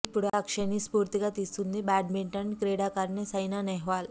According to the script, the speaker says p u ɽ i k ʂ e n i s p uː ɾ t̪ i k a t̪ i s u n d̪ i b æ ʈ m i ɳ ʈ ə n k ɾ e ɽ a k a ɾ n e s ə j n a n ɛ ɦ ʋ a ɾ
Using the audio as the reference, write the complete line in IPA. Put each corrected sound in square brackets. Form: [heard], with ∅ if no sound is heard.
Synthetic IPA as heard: p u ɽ [a] k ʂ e n i s p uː ɾ t̪ i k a t̪ i s u n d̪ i b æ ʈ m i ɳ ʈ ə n k ɾ e ɽ a k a ɾ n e s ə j n a n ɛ ɦ ʋ a [l]